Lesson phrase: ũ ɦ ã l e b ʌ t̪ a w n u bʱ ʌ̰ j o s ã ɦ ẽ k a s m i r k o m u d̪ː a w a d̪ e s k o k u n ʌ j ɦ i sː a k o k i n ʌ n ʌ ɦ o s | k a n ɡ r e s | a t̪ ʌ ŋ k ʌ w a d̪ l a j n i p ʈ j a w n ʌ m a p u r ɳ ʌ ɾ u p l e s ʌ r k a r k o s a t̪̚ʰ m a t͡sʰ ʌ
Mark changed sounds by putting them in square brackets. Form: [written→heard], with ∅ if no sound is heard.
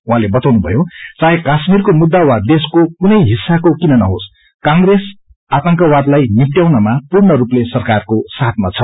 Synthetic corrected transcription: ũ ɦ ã l e b ʌ t̪ a w n u bʱ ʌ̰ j o [s→t͡s] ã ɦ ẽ k a s m i r k o m u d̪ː a w a d̪ e s k o k u n ʌ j ɦ i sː a k o k i n ʌ n ʌ ɦ o s | k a [n→ŋ] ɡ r e s | a t̪ ʌ ŋ k ʌ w a d̪ l a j n i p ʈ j a w n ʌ m a p u r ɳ ʌ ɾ u p l e s ʌ r k a r k o s a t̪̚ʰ m a t͡sʰ ʌ